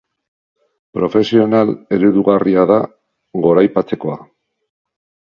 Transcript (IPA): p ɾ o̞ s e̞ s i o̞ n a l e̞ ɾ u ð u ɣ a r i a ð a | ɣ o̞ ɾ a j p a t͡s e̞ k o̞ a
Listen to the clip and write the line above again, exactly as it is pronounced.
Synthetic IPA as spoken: p ɾ o̞ f e̞ s i o̞ n a l e̞ ɾ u ð u ɣ a r i a ð a | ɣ o̞ ɾ a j p a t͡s e̞ k o̞ a